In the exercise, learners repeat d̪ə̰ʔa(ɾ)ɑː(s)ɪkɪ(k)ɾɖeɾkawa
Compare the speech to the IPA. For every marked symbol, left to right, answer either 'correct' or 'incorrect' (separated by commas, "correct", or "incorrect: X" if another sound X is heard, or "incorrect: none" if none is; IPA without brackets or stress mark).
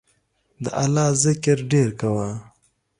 incorrect: l, incorrect: z, incorrect: none